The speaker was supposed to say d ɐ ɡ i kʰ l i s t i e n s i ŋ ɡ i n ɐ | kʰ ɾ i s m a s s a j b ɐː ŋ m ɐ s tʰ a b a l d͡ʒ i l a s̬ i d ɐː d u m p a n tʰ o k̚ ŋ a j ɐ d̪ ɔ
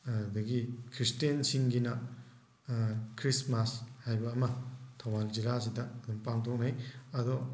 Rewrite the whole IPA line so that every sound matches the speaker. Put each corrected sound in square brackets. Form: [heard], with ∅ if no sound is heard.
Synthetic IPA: d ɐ ɡ i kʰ [ɾ] i s t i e n s i ŋ ɡ i n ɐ | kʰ ɾ i s m a s [h] a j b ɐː [∅] m ɐ [∅] tʰ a [w] a l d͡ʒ i l a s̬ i d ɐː d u m p a [ŋ] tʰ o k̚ [n] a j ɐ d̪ ɔ